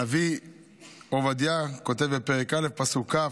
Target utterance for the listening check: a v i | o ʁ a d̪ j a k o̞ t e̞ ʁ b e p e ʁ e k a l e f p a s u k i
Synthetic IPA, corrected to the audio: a v i | o v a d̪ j a k o̞ t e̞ v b e p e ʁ e k a l e f p a s u k a